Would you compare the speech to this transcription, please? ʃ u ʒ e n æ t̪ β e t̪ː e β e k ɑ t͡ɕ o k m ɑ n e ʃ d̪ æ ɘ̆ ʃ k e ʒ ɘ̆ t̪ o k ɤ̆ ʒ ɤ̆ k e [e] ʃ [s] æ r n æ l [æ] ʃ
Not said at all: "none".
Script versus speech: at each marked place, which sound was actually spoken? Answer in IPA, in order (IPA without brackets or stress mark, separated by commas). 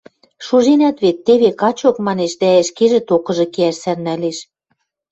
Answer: æ, s, e